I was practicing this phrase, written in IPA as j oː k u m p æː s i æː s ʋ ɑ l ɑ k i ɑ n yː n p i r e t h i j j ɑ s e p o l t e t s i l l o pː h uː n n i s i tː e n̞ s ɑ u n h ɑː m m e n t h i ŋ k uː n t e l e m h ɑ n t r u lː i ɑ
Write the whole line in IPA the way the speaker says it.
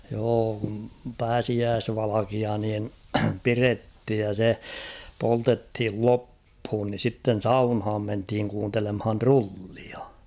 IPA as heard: j oː k u m p æː s i æː s ʋ ɑ l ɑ k i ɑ n iː n p i r e t h i j j ɑ s e p o l t e t h i l l o pː h uː n n i s i tː e n̞ s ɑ u n h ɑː m m e n t h i ŋ k uː n t e l e m h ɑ n t r u lː i ɑ